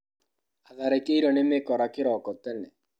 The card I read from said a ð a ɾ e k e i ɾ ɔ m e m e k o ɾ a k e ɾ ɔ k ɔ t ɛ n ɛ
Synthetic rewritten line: a ð a ɾ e k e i ɾ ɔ n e m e k ɔ ɾ a k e ɾ ɔ k ɔ t ɛ n ɛ